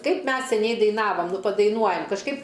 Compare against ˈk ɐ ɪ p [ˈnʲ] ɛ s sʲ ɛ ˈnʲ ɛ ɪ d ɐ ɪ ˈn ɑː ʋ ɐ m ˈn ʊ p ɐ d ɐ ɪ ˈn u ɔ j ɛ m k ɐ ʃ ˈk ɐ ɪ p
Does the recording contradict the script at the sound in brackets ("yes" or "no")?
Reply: yes